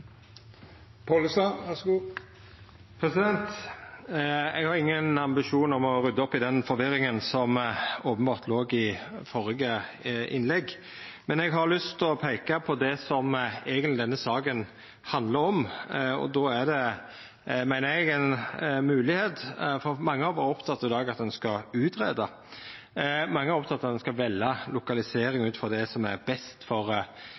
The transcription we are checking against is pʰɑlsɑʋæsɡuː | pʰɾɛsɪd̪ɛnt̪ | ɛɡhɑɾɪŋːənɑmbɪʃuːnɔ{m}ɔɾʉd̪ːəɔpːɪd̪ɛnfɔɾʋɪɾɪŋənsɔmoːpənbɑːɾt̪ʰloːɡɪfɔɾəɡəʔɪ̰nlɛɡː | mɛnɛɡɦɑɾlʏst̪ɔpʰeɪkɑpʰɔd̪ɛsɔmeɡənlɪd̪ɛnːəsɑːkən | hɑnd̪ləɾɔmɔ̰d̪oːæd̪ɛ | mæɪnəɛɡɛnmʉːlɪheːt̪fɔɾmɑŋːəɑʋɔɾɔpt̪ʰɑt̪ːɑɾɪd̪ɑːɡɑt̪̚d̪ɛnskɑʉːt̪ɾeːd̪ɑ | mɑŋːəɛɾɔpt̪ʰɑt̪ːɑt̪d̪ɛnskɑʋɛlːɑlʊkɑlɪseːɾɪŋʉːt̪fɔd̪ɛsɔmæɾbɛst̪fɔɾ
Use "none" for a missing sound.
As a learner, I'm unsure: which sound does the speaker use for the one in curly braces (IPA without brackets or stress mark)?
m